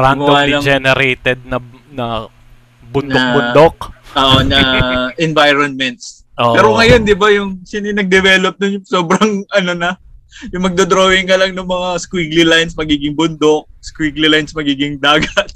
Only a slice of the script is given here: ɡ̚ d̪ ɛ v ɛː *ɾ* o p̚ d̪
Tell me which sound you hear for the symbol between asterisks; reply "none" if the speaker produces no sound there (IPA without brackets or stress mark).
l